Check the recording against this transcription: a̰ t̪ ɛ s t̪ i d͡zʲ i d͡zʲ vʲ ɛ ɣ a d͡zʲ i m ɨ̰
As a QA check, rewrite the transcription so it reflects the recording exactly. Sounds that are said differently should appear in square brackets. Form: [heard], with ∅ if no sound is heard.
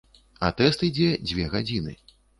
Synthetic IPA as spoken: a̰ t̪ ɛ s t̪ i d͡zʲ [ɛ] d͡zʲ vʲ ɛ ɣ a d͡zʲ i [n] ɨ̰